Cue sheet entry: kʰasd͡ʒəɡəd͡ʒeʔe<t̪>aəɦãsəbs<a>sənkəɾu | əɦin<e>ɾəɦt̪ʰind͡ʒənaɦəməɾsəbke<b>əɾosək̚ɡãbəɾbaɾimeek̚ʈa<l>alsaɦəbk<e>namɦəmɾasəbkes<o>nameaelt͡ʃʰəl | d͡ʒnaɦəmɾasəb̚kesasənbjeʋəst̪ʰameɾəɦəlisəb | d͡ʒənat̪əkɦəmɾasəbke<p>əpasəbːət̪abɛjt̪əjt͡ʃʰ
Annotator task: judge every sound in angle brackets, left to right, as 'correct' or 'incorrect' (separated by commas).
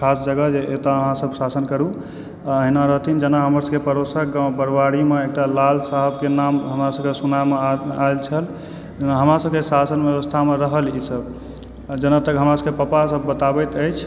correct, correct, incorrect, incorrect, correct, correct, incorrect, correct